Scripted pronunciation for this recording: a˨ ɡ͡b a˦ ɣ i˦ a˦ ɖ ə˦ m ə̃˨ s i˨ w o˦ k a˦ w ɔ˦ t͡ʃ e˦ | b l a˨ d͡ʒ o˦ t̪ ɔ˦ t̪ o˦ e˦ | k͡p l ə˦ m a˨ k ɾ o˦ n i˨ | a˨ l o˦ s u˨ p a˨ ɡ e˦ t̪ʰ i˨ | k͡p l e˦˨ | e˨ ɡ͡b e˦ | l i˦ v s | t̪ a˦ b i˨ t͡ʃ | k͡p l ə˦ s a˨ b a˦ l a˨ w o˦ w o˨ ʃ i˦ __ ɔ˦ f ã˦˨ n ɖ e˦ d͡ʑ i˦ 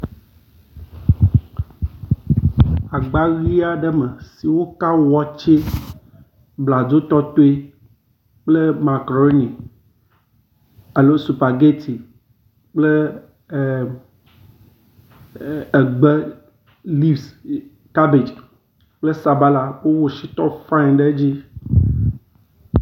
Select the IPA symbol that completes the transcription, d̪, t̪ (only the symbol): t̪